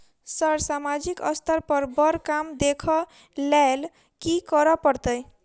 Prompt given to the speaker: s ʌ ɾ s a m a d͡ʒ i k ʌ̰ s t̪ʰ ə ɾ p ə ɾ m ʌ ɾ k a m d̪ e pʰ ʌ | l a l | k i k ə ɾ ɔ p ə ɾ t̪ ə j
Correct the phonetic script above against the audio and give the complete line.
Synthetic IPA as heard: s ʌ ɾ s a m a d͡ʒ i k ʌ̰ s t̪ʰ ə ɾ p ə ɾ b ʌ ɾ k a m d̪ e kʰ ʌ | l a l | k i k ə ɾ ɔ p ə ɾ t̪ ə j